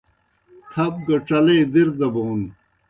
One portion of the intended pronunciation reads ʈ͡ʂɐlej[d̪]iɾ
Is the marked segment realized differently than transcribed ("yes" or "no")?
no